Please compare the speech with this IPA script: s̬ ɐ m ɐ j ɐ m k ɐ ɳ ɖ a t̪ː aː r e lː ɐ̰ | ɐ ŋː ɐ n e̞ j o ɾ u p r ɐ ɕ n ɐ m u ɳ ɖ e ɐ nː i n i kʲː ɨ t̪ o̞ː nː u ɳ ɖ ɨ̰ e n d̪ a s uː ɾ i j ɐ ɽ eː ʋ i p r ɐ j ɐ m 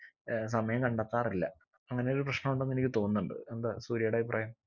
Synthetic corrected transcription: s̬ ɐ m ɐ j ɐ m k ɐ ɳ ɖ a t̪ː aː r i lː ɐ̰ | ɐ ŋː ɐ n e̞ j o ɾ u p r ɐ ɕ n ɐ m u ɳ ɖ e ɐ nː e n i kʲː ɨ t̪ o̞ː nː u ɳ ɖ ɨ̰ e n d̪ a s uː ɾ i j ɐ ɽ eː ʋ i p r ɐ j ɐ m

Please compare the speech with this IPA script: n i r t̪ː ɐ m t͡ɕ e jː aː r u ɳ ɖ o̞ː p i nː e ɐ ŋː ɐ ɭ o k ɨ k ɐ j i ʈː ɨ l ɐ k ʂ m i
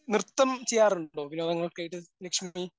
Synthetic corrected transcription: n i r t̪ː ɐ m t͡ɕ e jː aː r u ɳ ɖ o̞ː p i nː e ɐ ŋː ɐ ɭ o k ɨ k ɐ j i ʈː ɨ l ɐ k ʂ m i

